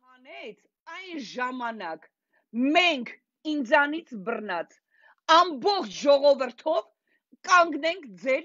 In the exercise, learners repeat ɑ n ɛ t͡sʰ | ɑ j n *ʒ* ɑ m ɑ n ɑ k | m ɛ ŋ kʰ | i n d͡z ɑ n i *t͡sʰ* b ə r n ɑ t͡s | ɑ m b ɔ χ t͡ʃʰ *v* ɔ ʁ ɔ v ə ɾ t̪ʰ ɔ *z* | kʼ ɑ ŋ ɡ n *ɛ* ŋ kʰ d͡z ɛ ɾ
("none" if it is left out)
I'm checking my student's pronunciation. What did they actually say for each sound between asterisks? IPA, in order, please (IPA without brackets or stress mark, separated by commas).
ʒ, t͡sʰ, ʒ, v, ɛ